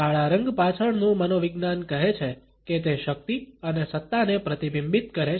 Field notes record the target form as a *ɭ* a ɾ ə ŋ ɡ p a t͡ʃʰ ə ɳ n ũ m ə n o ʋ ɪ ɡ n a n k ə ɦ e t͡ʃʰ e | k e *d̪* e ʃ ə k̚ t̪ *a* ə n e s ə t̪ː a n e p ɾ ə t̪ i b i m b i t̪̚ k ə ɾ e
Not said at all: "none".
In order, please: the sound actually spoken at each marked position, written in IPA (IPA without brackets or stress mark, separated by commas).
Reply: ɭ, t̪, i